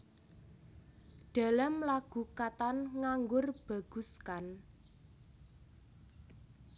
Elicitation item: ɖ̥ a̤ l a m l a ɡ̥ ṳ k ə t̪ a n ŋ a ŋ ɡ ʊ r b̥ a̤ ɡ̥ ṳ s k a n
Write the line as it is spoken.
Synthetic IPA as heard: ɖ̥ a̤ l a m l a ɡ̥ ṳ k a t̪ a n ŋ a ŋ ɡ ʊ r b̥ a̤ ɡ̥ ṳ s k a n